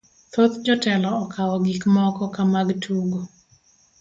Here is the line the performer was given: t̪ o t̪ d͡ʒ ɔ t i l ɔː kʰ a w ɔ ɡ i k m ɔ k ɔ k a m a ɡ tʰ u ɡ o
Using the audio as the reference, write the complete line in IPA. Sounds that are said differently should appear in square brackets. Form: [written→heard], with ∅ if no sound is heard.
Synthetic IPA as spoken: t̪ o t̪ d͡ʒ ɔ t [i→ɛ] l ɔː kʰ a w ɔ ɡ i k m ɔ k ɔ k a m a ɡ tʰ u ɡ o